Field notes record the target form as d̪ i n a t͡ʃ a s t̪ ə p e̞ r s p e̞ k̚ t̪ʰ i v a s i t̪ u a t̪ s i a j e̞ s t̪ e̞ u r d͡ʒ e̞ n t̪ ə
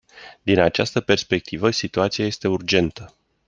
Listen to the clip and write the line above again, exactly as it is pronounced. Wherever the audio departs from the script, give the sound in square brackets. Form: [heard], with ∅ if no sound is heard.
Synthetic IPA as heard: d̪ i n a t͡ʃ a s t̪ ə p e̞ r s p e̞ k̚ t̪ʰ i v [ə] s i t̪ u a t̪ s i a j e̞ s t̪ e̞ u r d͡ʒ e̞ n t̪ ə